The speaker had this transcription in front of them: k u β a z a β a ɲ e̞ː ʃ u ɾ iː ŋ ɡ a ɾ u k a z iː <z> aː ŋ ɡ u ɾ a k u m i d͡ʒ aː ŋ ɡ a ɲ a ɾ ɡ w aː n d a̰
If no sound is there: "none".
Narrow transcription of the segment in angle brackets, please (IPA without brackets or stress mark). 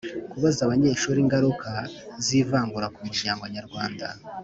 v